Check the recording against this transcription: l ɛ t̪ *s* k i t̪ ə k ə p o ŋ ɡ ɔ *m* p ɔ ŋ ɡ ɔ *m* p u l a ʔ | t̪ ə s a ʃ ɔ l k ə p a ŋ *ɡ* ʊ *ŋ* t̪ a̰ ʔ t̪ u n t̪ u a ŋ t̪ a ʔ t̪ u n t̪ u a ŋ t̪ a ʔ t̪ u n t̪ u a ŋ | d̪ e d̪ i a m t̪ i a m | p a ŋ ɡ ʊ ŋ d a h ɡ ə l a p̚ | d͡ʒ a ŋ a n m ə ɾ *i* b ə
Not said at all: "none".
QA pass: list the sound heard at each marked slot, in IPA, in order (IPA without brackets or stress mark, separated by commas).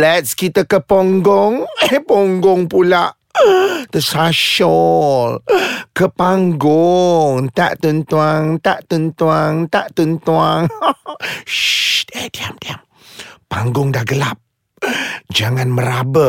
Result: s, ŋ, ŋ, ɡ, ŋ, a